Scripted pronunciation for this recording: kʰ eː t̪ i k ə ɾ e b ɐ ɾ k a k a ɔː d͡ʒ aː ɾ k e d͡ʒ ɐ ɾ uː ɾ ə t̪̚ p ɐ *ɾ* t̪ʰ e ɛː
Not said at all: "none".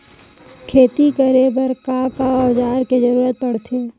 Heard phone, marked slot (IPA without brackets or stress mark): ɽ